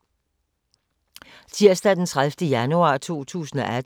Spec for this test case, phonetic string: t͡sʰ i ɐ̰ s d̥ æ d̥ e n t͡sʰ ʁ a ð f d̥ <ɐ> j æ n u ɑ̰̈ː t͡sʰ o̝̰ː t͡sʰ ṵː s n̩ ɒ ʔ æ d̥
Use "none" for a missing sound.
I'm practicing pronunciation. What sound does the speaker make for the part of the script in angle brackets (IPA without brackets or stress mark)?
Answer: ə